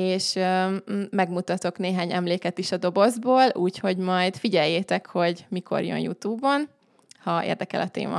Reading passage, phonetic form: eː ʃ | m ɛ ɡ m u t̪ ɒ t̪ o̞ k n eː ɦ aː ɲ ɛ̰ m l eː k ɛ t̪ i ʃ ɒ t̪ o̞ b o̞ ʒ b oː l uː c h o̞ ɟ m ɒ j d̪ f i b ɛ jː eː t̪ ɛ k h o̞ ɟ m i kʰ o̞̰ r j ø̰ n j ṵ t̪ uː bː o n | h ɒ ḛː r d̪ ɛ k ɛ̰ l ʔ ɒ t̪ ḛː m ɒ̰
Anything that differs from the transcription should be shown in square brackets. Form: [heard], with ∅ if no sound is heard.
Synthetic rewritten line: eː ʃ | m ɛ ɡ m u t̪ ɒ t̪ o̞ k n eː ɦ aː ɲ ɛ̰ m l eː k ɛ t̪ i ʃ ɒ [d̪] o̞ b o̞ [z] b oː l uː c h o̞ ɟ m ɒ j d̪ f i [ɟ] ɛ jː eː t̪ ɛ k h o̞ ɟ m i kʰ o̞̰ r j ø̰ n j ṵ t̪ uː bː o n | h ɒ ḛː r d̪ ɛ k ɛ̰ l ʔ ɒ t̪ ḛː m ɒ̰